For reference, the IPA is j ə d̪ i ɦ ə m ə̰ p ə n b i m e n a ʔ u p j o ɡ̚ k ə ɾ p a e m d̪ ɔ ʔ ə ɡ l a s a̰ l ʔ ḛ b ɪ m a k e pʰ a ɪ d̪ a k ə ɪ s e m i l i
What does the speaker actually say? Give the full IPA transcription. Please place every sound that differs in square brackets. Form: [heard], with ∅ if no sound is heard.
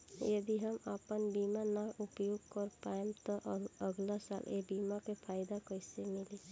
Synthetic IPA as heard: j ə d̪ i ɦ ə m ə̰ p ə n b i m [a] n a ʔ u p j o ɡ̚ k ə ɾ p a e m [t̪] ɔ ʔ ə ɡ l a s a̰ l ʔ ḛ b [i] m a k e pʰ a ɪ d̪ a k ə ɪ s e m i l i